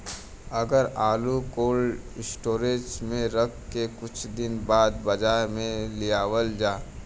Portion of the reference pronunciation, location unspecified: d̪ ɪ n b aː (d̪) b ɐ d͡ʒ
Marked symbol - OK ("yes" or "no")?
yes